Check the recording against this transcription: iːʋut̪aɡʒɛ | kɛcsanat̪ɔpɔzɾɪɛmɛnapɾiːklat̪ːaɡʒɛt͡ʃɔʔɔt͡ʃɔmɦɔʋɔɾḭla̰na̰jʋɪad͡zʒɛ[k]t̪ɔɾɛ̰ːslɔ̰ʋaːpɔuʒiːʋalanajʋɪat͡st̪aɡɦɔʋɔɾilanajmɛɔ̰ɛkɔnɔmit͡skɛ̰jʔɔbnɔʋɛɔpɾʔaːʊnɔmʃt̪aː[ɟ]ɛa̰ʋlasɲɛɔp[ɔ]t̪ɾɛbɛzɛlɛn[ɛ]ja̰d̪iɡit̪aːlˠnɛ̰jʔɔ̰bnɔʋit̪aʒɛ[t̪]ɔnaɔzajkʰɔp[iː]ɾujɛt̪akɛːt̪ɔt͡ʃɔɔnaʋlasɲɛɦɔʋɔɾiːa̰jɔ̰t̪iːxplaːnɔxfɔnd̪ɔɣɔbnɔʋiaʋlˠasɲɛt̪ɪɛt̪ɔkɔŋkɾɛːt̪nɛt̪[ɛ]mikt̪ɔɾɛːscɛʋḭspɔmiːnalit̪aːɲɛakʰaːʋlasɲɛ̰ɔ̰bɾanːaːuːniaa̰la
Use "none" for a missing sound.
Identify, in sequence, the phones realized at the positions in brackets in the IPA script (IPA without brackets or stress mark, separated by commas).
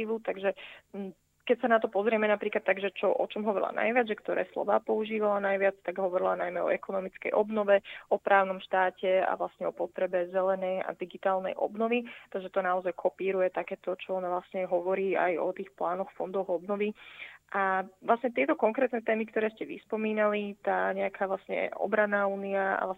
k, c, ɔ, ɛ, t̪, iː, ɛː